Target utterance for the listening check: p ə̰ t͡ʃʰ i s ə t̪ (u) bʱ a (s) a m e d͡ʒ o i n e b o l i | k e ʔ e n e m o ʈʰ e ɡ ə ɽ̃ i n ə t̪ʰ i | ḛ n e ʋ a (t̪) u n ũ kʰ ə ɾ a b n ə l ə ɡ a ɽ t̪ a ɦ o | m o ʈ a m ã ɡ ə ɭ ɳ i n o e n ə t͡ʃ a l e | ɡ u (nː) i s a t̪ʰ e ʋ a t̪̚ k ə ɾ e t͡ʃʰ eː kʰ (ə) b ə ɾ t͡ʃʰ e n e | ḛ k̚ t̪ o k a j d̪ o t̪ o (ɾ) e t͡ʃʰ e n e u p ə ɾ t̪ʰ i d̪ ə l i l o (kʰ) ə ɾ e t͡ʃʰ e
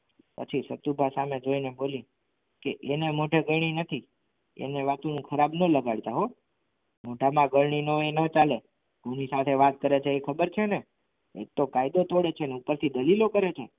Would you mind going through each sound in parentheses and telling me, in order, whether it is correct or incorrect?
correct, correct, correct, incorrect: n, correct, incorrect: ɽ, incorrect: k

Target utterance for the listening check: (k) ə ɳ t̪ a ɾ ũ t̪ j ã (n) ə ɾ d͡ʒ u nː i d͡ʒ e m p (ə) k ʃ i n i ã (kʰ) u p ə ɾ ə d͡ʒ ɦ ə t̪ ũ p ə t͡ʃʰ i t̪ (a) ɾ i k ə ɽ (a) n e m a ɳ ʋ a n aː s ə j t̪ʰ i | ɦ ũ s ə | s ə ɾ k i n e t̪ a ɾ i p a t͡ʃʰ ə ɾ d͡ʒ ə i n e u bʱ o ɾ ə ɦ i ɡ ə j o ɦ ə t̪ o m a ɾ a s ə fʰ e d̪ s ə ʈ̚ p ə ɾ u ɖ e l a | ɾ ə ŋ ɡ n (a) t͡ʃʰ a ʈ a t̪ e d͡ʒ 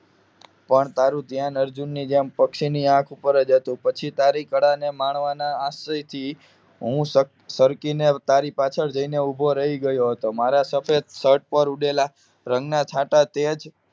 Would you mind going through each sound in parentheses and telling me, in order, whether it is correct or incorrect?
incorrect: p, correct, correct, correct, correct, correct, correct

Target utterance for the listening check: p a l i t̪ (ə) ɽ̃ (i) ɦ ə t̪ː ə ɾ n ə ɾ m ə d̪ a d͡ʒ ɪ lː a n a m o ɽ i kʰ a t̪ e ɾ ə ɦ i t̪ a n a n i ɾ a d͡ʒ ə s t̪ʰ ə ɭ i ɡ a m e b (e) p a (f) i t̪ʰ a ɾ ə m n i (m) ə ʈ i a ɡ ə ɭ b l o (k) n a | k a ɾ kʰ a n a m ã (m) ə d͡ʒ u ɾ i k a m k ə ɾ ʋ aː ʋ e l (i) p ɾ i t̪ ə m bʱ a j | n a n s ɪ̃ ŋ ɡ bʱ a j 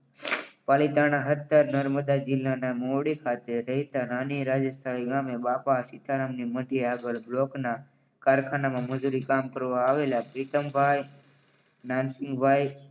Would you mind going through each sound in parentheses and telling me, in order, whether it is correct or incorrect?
incorrect: a, incorrect: a, incorrect: a, incorrect: s, correct, correct, correct, incorrect: a

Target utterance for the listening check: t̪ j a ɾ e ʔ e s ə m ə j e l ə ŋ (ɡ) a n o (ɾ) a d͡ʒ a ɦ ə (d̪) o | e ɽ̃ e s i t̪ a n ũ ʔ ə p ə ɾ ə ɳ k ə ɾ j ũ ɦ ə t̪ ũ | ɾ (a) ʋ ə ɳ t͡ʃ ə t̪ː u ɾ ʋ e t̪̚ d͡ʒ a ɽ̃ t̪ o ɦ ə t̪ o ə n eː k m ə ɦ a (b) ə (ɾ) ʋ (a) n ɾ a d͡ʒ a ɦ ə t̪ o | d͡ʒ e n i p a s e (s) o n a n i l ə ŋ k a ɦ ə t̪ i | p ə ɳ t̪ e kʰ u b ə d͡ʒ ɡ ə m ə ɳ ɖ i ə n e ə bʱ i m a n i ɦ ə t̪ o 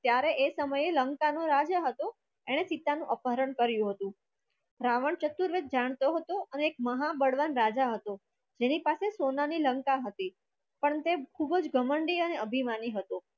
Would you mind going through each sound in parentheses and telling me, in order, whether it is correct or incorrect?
incorrect: k, correct, incorrect: t̪, correct, correct, incorrect: ɽ, correct, correct

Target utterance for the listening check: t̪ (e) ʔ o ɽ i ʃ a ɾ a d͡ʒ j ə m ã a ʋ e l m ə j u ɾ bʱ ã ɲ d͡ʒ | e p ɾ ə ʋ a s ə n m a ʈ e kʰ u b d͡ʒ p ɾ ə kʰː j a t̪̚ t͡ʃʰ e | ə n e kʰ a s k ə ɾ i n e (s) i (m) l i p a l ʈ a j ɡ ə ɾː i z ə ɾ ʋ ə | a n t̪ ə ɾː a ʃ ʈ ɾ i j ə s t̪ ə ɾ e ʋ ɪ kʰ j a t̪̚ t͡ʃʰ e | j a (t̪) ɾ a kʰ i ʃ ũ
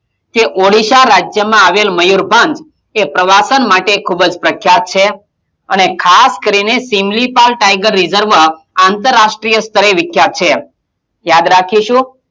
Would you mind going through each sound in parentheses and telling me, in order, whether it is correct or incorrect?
correct, correct, correct, incorrect: d̪

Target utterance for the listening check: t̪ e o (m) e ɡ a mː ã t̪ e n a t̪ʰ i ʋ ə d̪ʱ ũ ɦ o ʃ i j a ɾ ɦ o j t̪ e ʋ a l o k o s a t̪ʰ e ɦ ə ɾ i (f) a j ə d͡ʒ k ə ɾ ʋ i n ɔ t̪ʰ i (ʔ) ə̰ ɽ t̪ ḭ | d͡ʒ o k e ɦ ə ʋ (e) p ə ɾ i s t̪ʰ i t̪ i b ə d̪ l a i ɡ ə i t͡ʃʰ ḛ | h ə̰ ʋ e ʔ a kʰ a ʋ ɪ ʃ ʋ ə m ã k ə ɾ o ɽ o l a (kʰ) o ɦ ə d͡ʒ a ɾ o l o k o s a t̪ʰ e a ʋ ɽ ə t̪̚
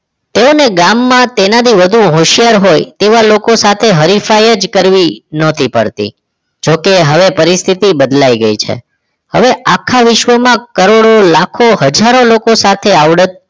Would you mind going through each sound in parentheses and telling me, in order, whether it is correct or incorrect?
incorrect: n, correct, incorrect: p, correct, correct

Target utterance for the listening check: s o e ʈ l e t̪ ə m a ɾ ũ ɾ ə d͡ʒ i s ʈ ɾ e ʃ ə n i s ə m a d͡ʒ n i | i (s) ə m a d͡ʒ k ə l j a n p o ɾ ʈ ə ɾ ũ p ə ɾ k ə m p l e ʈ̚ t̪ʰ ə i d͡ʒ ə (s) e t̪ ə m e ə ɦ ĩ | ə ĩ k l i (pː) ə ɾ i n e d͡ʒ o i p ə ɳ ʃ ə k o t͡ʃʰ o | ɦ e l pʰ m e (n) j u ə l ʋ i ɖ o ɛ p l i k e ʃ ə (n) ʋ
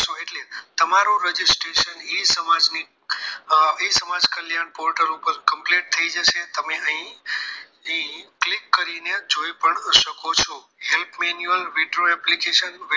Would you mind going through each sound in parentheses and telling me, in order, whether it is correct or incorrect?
correct, incorrect: ʃ, incorrect: kː, correct, correct

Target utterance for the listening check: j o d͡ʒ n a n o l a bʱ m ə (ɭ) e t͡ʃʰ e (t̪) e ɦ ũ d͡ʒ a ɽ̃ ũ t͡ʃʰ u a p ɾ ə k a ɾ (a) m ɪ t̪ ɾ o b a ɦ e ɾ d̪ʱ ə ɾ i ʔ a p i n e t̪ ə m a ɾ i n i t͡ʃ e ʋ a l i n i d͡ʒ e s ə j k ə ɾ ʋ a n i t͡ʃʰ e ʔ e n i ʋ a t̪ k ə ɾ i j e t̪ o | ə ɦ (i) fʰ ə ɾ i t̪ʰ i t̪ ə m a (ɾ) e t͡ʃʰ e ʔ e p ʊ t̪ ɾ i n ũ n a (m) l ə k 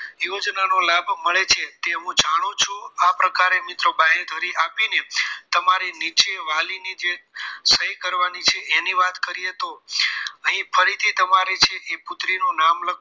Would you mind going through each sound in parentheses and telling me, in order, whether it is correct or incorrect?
correct, correct, incorrect: e, incorrect: ĩ, correct, correct

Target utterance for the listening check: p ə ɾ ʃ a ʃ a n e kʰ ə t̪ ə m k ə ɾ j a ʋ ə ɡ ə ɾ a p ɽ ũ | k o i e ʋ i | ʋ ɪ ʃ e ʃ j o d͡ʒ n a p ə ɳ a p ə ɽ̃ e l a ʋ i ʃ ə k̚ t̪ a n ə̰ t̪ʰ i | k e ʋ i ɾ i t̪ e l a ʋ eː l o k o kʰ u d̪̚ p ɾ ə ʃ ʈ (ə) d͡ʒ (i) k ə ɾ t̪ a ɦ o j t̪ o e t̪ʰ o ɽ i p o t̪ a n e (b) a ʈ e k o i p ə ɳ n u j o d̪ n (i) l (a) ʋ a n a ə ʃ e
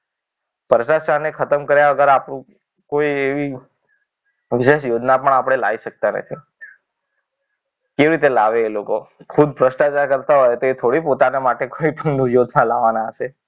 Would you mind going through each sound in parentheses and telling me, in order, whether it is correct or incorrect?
incorrect: a, incorrect: a, incorrect: m, incorrect: a, correct

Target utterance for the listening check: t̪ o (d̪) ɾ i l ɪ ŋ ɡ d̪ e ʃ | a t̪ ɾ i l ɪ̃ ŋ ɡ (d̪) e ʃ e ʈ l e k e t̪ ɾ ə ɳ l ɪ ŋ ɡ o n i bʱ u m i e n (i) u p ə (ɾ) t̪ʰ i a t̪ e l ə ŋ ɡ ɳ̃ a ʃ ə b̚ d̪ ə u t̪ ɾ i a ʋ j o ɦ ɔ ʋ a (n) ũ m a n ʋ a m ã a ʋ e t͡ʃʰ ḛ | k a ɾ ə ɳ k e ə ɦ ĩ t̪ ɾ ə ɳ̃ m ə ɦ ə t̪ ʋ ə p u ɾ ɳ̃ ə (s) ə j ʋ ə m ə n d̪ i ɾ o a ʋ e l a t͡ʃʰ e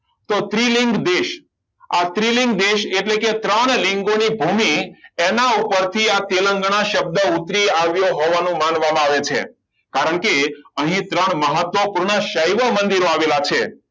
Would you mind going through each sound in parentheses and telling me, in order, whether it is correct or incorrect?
incorrect: t̪, correct, incorrect: a, correct, correct, incorrect: ʃ

